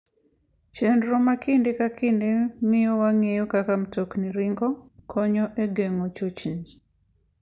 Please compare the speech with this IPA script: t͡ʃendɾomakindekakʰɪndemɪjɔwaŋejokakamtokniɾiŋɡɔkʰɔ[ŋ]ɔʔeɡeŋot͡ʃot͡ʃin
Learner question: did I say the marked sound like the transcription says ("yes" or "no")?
no